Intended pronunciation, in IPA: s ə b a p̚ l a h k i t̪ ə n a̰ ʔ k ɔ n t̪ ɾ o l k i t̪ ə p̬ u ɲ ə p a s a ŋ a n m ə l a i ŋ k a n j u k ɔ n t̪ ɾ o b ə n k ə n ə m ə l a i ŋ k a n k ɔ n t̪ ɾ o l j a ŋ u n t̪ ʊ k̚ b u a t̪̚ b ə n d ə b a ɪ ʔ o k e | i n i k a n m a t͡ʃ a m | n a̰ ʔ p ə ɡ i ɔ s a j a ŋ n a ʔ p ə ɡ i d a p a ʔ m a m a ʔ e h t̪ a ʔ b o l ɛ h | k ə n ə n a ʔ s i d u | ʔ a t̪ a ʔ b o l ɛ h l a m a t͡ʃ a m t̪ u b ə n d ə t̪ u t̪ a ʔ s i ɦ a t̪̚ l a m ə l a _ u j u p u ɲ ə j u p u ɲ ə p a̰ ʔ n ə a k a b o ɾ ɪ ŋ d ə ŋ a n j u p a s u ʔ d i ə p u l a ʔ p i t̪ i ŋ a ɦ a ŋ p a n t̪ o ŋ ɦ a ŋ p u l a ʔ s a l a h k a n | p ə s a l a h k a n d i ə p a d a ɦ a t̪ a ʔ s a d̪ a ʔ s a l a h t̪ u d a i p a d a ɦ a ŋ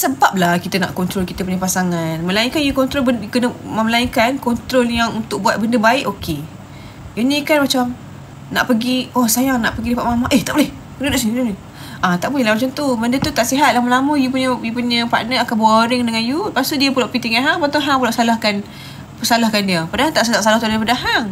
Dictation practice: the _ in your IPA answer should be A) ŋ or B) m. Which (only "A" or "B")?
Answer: B